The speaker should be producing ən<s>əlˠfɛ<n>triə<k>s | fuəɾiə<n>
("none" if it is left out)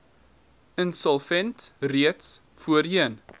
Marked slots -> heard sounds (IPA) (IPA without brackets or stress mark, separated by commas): s, n, t, n